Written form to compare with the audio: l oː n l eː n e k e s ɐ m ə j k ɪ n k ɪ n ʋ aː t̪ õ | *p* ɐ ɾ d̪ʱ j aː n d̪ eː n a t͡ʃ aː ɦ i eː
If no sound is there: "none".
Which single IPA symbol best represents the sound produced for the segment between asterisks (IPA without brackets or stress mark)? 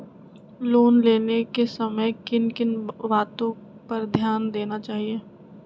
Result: p